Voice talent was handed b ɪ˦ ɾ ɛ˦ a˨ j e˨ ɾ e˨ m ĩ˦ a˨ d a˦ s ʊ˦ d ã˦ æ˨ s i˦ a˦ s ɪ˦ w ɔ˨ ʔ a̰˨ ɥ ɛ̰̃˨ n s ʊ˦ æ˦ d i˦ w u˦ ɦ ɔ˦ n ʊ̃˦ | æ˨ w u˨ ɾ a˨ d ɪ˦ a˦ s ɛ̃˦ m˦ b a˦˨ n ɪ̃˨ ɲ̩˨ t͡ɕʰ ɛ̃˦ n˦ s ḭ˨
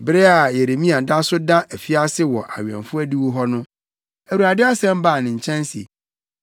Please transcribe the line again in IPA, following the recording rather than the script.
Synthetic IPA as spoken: b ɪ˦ ɾ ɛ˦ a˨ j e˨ ɾ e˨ m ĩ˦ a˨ d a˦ s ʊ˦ d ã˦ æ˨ f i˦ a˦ s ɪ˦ w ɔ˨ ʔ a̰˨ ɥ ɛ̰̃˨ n f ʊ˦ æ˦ d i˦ w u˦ ɦ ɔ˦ n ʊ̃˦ | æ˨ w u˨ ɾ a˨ d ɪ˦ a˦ s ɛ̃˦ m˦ b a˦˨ n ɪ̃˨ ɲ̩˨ t͡ɕʰ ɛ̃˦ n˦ s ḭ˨

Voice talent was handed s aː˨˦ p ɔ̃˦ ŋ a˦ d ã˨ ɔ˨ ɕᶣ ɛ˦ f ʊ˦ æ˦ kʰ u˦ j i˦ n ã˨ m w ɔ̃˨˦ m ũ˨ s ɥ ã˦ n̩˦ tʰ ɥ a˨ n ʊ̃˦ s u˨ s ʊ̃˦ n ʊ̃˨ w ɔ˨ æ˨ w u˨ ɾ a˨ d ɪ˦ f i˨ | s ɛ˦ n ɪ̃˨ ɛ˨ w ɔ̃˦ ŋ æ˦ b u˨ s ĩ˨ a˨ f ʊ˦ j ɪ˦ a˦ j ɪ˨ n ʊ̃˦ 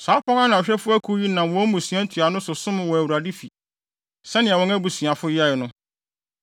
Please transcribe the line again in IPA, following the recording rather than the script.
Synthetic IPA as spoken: s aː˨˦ p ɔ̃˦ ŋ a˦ n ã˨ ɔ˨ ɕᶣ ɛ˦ f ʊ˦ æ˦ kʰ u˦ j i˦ n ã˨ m w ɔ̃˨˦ m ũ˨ s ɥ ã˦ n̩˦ tʰ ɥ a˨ n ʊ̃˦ s ʊ˨ s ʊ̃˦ m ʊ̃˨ w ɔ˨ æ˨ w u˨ ɾ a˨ d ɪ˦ f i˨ | s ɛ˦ n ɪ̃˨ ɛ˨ w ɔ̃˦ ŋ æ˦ b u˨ s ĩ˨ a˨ f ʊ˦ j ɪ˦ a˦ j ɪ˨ n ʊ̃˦

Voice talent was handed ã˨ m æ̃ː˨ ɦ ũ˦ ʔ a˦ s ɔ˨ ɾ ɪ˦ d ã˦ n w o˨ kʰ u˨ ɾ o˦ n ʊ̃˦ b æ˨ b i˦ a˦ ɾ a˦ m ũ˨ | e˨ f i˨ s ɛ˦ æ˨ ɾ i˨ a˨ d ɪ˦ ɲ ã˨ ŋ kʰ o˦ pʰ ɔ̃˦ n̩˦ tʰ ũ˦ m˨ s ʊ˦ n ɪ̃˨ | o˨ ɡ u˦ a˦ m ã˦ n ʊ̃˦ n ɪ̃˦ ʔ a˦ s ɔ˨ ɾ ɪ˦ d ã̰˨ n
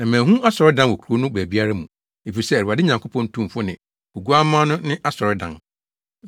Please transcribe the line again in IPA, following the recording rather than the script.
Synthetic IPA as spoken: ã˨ m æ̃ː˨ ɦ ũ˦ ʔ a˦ s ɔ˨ ɾ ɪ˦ d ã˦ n w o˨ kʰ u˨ ɾ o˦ n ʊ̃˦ b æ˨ b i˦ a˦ ɾ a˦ m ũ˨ | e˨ f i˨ s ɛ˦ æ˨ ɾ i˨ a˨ d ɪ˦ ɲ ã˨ ŋ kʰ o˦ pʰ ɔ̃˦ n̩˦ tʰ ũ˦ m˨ f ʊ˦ n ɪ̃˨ | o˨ ɡ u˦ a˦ m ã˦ n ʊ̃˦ n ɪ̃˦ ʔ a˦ s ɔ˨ ɾ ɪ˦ d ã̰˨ n

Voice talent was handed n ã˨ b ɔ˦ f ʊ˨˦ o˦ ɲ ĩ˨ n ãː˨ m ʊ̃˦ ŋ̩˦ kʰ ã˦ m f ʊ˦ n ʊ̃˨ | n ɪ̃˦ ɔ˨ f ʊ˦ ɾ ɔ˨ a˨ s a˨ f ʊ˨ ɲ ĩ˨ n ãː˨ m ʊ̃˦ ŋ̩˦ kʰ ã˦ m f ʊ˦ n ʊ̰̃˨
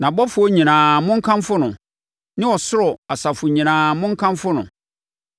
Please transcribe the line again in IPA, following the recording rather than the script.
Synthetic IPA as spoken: n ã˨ b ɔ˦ f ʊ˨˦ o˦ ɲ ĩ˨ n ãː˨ m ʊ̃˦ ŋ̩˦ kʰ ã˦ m f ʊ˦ n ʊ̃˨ | n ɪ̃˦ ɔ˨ s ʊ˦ ɾ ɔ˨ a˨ s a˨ f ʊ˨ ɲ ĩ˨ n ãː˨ m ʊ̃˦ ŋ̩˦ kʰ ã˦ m f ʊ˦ n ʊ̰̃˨

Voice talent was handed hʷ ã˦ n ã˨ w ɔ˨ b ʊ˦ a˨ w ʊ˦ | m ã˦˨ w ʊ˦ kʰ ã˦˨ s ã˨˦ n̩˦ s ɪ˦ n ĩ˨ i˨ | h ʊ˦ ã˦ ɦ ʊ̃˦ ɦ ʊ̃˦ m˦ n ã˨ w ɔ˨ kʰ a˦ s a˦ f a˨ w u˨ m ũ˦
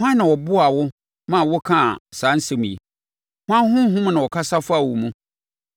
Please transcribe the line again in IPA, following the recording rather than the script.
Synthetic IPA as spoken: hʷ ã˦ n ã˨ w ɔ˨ b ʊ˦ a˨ w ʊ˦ | m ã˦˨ w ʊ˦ kʰ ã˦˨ s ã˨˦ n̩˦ s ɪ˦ m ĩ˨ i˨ | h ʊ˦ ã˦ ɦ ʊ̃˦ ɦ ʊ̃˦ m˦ n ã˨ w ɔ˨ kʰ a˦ s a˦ f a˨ w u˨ m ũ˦

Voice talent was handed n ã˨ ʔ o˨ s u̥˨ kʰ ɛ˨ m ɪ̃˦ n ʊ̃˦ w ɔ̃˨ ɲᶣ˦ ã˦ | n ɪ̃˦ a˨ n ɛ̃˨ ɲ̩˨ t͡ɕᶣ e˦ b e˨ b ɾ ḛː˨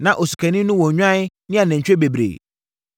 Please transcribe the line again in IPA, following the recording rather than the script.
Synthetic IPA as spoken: n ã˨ ʔ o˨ s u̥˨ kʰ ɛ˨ n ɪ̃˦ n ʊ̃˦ w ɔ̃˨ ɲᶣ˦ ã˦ | n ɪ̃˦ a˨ n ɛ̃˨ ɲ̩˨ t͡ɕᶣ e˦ b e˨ b ɾ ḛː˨

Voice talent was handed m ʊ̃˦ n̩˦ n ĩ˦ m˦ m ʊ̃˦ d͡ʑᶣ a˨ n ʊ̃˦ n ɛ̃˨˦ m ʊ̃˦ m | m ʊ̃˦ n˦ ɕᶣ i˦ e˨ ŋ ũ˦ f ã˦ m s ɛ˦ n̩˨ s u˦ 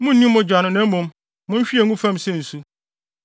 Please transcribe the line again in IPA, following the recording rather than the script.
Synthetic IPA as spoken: m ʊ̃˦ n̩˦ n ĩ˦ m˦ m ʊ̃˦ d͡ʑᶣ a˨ n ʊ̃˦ n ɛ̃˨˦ m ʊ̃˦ m | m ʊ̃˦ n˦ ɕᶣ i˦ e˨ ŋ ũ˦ f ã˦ m s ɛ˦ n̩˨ s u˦

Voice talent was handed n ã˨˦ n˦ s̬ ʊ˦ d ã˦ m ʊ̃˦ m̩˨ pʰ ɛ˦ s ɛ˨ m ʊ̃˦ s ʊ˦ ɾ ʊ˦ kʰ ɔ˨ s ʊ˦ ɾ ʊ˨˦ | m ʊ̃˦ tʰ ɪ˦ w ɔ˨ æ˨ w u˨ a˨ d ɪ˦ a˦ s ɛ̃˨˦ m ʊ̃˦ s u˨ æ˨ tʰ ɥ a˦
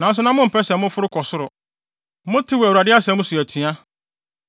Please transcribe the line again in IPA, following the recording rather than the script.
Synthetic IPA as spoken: n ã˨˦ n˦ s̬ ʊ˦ n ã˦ m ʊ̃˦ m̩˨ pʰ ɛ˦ s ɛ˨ m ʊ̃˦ f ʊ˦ ɾ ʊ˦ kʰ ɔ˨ s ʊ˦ ɾ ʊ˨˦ | m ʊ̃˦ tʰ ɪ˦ w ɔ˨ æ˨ w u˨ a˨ d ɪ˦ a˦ s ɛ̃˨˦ m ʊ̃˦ s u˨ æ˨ tʰ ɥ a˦

